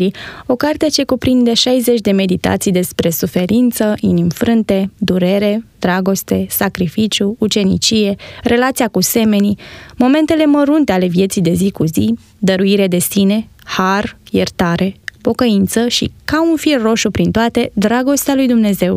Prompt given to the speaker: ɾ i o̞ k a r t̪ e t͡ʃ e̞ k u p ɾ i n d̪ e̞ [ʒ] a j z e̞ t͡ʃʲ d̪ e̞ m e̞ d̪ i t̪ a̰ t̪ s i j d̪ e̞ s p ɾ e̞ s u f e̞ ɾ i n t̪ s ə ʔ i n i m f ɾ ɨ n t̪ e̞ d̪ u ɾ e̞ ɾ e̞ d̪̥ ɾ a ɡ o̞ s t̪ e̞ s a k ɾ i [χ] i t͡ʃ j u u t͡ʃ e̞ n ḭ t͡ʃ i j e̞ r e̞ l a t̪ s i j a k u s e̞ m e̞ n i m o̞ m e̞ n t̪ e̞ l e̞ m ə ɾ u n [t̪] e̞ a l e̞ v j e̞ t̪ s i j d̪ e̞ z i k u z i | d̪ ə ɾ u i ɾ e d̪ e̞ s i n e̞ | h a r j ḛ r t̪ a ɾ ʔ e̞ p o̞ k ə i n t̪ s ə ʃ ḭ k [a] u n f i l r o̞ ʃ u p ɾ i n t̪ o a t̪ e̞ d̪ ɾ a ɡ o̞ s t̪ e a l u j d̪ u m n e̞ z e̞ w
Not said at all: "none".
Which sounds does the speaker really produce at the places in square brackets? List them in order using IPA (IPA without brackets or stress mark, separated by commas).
ʃ, f, t̪, a